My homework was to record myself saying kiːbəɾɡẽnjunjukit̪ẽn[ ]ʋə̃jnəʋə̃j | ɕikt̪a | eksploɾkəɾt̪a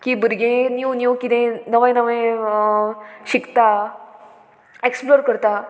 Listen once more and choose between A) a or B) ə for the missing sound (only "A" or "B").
B